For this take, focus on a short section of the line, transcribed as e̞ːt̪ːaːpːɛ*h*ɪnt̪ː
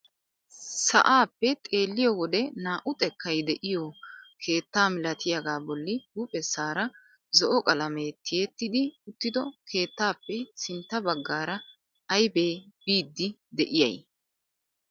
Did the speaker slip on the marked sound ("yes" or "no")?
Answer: yes